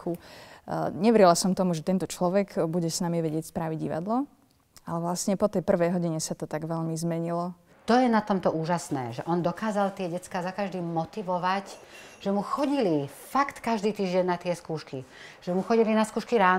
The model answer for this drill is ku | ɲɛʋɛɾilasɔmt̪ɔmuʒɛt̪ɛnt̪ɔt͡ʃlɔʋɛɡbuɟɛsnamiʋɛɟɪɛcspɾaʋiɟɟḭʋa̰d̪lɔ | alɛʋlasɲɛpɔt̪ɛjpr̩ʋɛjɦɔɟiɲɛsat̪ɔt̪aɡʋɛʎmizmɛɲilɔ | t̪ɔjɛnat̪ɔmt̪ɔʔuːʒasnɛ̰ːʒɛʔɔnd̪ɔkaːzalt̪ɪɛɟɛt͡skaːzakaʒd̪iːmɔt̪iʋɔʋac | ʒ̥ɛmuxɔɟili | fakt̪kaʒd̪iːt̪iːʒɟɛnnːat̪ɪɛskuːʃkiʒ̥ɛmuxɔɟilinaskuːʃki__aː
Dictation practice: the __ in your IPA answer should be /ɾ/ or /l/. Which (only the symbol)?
ɾ